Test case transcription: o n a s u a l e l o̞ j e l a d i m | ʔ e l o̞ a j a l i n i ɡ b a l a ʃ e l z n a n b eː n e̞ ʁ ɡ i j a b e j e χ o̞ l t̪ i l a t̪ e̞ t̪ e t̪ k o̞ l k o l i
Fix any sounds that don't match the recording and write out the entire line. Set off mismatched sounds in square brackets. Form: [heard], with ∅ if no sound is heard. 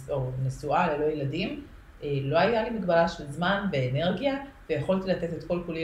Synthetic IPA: o n [e] s u a l e l o̞ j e l a d i m | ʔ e l o̞ a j a l i [m] i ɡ b a l a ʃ e l z [m] a n [v] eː n e̞ ʁ ɡ i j a [v] e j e χ o̞ l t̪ i l a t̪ e̞ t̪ e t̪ k o̞ l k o l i